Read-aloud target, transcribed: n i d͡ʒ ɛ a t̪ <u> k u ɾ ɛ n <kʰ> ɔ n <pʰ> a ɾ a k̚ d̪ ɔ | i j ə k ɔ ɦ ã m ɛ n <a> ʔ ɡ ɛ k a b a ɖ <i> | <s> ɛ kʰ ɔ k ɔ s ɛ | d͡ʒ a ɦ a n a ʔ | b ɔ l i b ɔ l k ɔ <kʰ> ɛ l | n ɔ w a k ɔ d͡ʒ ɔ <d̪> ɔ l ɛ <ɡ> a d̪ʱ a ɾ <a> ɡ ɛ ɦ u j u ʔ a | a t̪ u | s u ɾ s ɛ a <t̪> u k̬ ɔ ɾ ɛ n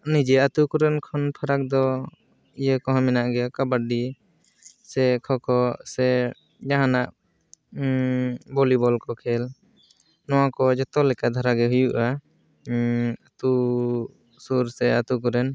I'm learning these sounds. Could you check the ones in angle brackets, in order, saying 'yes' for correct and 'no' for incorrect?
yes, yes, yes, yes, yes, yes, yes, no, no, yes, yes

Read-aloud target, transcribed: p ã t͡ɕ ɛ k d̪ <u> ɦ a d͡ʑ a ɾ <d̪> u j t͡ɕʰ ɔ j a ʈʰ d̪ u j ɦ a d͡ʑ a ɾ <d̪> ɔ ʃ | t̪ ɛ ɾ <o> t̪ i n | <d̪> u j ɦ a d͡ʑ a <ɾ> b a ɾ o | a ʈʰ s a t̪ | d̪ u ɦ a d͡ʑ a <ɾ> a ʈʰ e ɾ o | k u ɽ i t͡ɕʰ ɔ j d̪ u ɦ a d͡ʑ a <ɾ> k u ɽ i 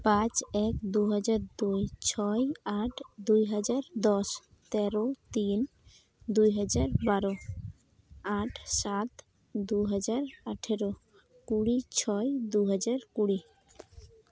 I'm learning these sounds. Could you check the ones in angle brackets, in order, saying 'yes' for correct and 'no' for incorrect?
yes, yes, yes, yes, yes, yes, yes, yes

